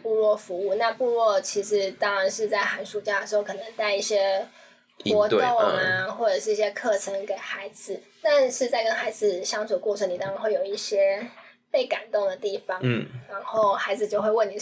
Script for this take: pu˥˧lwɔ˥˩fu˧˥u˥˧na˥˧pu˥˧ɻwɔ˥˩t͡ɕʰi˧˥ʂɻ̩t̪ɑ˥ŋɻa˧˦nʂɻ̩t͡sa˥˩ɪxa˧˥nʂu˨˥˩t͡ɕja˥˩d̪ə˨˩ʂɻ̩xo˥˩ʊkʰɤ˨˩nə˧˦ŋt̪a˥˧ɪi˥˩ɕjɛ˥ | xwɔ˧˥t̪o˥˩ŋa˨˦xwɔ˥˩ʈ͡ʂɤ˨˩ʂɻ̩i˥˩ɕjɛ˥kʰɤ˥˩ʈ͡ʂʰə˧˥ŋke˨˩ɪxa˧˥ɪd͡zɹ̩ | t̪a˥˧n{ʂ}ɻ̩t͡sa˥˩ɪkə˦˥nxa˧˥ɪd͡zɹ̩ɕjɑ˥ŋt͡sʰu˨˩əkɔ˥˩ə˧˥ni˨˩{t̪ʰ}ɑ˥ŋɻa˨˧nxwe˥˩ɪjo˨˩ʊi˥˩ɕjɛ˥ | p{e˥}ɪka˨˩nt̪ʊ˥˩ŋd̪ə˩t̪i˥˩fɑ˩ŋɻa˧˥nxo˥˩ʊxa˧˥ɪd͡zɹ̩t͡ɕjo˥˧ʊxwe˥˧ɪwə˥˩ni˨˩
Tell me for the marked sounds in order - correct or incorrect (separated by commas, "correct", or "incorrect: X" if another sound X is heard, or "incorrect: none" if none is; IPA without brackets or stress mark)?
correct, incorrect: t̪, incorrect: e˥˩